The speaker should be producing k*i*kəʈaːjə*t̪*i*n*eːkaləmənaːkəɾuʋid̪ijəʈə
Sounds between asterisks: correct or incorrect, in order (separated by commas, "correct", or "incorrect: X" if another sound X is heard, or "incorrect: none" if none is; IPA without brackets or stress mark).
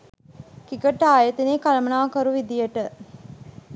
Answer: correct, correct, correct